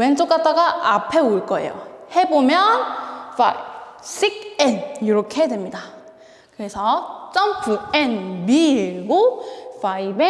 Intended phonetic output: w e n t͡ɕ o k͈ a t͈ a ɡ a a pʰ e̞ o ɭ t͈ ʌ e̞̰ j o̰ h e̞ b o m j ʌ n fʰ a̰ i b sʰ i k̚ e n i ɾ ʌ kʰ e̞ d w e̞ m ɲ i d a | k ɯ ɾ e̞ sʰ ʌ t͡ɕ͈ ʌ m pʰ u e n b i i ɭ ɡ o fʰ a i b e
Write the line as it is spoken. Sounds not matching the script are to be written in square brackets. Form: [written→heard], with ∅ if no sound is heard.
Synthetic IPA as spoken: w e n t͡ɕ o k͈ a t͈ a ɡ a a pʰ e̞ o ɭ [t͈→k͈] ʌ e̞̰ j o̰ h e̞ b o m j ʌ n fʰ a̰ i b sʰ i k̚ e n i ɾ ʌ kʰ e̞ d w e̞ m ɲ i d a | k ɯ ɾ e̞ sʰ ʌ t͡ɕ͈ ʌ m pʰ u e n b i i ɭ ɡ o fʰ a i b e